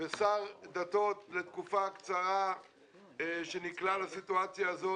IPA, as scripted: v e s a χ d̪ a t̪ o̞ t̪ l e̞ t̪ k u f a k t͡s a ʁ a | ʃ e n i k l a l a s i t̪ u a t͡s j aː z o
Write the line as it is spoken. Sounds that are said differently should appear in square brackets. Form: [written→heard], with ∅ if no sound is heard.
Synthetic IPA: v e s a [χ→ʁ] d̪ a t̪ o̞ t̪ l e̞ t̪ k u f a k t͡s a ʁ a | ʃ e n i k l a l a s i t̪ u a t͡s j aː z o

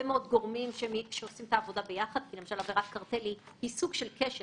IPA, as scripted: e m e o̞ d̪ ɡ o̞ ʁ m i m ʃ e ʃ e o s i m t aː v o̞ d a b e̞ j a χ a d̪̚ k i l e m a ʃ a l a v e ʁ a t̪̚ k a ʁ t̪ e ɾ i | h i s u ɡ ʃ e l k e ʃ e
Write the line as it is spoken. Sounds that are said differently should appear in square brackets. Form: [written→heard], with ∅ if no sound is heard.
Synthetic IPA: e m e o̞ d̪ ɡ o̞ ʁ m i m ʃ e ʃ e o s i m t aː v o̞ d a b e̞ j a χ a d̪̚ k i l e m a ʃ a l a v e ʁ a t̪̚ k a ʁ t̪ e [ɾ→l] i | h i s u ɡ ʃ e l k e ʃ e

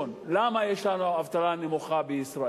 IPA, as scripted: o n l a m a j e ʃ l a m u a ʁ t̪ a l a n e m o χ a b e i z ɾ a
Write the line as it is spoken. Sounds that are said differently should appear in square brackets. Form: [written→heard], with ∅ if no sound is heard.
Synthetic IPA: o n l a m a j e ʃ l a [m→n] u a [ʁ→v] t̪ a l a n e m [o→u] χ a b e i [z→s] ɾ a

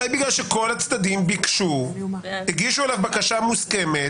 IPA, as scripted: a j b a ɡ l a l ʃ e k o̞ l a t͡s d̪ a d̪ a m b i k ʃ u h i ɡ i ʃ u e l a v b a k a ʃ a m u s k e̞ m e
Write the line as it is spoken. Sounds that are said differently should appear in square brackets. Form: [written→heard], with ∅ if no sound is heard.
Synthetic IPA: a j b [a→i] ɡ l a l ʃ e k o̞ l a t͡s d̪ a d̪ [a→i] m b i k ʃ u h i ɡ i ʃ u e l a v b a k a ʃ a m u s k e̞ m e

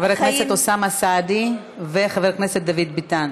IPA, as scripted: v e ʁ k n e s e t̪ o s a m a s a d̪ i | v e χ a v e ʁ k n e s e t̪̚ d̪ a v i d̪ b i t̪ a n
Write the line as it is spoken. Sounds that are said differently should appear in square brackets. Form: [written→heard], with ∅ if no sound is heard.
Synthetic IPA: v e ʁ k n e s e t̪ o s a m a s a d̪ i | v e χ a v e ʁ k n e s e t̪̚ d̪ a v i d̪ b i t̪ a n

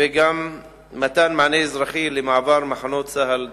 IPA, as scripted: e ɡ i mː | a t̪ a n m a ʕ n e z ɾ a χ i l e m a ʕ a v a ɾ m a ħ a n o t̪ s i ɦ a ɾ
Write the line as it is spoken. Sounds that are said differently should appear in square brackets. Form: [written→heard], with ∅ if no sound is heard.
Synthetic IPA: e ɡ [i→a] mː | a t̪ a n m a ʕ n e z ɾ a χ i l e m a ʕ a v a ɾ m a ħ a n o t̪ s [i→a] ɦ a [ɾ→l]

